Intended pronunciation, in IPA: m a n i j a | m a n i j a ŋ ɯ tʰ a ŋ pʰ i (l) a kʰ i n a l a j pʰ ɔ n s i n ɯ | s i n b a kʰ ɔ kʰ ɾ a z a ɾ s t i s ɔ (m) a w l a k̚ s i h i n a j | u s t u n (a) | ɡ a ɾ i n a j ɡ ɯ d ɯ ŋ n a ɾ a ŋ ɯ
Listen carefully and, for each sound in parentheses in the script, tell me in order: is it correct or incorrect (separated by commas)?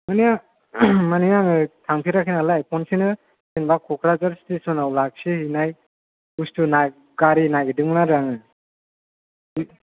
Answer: incorrect, incorrect, correct